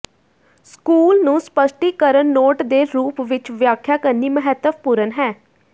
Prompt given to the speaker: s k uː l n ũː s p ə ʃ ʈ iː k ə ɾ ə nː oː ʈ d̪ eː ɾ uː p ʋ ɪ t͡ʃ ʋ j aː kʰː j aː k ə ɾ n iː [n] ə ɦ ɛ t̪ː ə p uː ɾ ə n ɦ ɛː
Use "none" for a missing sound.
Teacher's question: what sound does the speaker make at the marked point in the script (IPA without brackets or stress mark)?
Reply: m